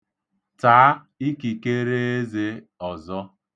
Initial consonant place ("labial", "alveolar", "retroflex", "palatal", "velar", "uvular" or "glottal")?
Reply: alveolar